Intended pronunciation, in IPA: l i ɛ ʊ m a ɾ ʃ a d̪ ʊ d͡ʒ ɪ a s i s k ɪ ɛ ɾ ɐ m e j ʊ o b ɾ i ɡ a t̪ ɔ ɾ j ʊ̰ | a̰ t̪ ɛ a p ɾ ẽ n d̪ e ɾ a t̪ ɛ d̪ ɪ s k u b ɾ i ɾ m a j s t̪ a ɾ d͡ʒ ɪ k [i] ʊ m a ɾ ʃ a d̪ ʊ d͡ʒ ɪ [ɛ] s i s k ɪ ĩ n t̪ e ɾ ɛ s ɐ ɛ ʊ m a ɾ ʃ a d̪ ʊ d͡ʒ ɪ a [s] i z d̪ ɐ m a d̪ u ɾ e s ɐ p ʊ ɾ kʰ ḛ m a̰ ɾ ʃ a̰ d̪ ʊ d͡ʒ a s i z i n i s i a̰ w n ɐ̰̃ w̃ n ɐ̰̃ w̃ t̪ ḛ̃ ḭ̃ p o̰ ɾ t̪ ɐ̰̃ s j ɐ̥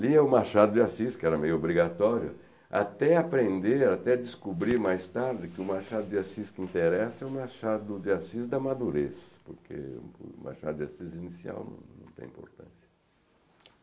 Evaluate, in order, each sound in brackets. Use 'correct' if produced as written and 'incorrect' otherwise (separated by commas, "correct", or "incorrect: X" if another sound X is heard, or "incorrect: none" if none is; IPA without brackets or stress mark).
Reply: incorrect: ɪ, incorrect: a, correct